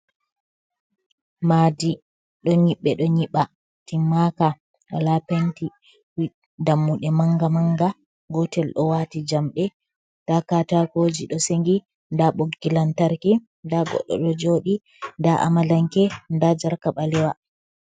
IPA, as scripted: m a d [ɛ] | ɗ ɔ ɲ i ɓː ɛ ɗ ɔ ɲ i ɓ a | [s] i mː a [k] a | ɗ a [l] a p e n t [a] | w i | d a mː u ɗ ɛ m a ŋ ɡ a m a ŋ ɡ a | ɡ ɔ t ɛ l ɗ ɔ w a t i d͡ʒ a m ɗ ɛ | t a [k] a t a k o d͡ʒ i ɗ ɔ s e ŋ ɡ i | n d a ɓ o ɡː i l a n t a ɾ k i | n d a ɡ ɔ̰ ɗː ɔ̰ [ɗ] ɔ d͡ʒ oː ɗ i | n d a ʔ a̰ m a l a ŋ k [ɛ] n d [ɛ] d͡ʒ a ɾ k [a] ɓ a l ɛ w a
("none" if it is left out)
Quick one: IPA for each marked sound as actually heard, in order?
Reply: i, t, k, l, i, k, ɗ, ɛ, a, a

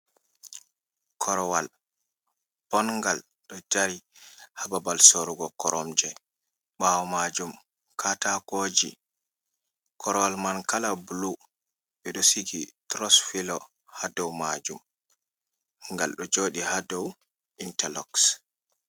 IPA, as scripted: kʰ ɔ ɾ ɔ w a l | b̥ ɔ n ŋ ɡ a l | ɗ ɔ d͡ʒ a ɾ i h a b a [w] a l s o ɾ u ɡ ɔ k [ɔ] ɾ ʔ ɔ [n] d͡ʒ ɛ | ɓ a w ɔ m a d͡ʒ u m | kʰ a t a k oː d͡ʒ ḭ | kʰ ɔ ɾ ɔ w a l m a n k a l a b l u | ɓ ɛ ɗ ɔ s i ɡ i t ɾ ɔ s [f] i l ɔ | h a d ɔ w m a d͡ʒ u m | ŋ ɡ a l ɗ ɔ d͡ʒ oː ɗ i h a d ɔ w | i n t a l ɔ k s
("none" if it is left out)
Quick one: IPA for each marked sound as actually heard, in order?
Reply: b, ɔ, m, f

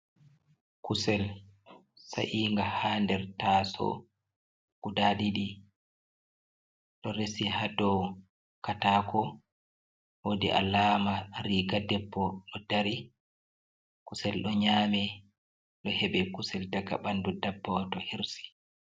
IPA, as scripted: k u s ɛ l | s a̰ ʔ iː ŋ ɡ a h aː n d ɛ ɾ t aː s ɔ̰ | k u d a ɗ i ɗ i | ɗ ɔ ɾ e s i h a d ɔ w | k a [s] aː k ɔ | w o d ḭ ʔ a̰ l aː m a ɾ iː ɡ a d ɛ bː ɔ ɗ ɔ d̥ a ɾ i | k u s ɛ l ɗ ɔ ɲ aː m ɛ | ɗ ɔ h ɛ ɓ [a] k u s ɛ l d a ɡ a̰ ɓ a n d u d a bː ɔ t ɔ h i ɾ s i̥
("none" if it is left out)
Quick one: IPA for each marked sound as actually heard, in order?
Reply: t, ɛ

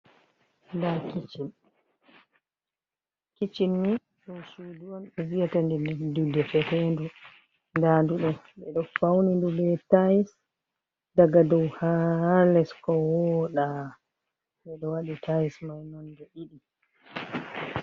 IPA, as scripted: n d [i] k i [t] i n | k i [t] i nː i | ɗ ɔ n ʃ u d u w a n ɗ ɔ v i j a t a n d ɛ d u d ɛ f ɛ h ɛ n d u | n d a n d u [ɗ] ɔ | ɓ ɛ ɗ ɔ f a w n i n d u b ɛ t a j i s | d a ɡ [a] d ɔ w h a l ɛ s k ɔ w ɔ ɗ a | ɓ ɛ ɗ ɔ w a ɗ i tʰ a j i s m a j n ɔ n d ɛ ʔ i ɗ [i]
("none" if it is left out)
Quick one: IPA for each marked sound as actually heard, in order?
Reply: a, t͡ʃ, t͡ʃ, ɗ, a, i

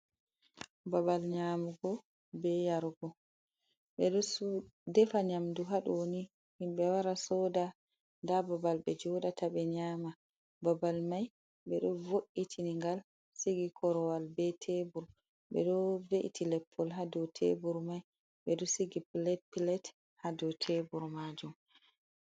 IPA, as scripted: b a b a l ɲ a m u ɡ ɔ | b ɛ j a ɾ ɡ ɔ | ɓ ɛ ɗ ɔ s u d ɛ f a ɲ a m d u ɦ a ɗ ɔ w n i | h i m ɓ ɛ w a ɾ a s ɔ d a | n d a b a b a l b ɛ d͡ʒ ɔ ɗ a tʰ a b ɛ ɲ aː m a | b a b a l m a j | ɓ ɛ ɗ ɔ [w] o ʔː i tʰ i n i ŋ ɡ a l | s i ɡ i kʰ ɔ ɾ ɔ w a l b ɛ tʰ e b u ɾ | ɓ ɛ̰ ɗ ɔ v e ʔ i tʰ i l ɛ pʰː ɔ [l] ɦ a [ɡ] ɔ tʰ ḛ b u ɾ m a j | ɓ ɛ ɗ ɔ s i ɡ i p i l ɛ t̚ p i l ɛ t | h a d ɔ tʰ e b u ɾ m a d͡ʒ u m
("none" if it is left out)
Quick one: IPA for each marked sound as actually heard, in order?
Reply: v, l, d

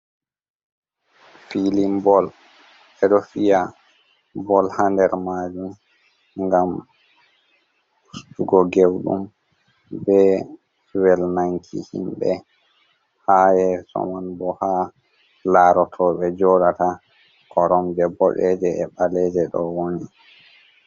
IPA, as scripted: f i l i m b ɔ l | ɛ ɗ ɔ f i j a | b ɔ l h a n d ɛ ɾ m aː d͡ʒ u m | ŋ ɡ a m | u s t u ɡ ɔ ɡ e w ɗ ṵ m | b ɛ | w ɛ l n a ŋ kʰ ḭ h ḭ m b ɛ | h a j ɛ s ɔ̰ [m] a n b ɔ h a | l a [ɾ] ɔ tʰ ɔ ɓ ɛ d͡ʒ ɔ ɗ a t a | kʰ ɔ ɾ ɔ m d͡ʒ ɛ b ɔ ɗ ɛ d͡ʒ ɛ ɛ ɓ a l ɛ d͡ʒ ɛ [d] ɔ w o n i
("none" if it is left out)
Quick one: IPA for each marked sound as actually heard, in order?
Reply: m, ɾ, ɗ

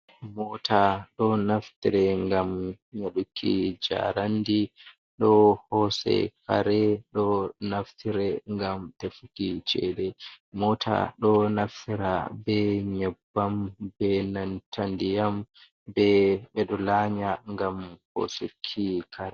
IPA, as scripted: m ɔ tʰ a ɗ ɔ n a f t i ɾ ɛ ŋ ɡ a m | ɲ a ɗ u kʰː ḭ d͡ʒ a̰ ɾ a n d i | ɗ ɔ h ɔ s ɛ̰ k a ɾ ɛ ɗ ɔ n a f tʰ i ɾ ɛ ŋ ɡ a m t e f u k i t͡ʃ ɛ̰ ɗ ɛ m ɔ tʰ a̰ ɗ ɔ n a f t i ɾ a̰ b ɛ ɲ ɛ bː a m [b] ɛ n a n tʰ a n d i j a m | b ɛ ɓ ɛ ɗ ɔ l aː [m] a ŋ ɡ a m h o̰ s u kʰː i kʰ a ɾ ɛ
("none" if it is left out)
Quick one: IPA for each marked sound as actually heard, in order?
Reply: b, ɲ

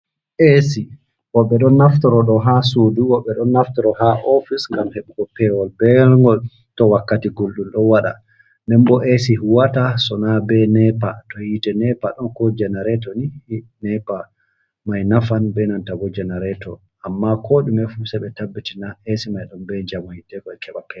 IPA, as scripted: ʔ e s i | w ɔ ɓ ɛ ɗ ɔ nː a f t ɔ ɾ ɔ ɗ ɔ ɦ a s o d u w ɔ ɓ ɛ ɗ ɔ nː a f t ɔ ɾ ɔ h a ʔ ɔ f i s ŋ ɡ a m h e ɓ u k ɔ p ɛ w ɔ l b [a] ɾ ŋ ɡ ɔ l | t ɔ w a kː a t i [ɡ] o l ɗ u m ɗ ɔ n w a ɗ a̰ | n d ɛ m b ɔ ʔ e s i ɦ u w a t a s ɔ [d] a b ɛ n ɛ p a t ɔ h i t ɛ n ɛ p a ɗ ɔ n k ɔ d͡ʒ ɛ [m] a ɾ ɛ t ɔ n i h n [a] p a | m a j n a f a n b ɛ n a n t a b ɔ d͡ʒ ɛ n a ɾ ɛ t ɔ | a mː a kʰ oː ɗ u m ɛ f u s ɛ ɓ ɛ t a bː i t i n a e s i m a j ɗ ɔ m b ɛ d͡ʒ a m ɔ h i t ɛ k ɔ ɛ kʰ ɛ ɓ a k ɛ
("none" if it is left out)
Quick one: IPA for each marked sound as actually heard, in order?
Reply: ɛ, ɡ, n, n, ɛ

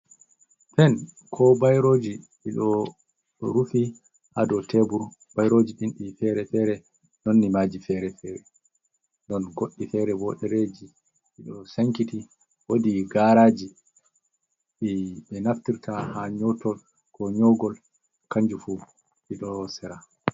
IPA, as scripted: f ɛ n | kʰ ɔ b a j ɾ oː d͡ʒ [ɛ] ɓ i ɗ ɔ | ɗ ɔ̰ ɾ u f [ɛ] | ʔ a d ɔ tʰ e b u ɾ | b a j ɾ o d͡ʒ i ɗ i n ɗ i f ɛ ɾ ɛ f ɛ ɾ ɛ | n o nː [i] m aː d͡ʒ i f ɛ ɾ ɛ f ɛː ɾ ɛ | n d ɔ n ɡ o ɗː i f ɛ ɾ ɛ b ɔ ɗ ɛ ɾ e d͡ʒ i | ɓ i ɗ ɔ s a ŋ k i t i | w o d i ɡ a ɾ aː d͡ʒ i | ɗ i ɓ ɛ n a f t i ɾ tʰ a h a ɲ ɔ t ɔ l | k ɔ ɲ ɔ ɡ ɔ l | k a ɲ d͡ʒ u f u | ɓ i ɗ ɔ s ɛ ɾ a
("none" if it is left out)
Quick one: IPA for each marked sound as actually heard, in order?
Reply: i, i, i

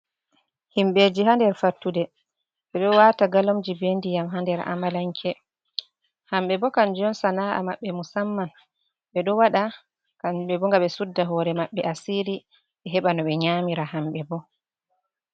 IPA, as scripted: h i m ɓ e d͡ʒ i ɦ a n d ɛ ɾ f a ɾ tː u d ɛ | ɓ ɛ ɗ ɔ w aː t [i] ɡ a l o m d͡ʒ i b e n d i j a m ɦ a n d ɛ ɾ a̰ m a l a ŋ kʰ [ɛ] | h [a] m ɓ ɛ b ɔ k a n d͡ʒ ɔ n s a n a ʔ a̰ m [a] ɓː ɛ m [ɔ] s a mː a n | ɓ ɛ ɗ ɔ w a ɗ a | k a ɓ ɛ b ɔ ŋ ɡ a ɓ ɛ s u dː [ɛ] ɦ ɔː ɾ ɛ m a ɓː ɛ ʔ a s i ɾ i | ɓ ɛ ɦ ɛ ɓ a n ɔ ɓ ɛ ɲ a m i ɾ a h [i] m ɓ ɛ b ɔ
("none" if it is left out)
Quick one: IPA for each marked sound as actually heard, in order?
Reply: a, ɛ, a, a, u, a, a

